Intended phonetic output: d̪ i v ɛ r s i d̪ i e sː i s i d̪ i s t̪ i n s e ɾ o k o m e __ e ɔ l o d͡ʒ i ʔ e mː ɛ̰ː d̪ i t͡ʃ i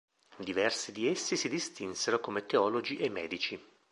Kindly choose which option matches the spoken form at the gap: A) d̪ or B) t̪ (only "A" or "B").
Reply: B